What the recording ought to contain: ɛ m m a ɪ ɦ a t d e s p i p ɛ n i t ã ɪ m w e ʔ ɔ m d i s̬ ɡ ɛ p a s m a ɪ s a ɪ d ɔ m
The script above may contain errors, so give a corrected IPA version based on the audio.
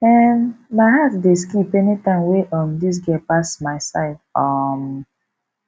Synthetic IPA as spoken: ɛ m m a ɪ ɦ a t d e s k i p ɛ n i t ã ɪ m w e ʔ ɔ m d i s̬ ɡ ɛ p a s m a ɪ s a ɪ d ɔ m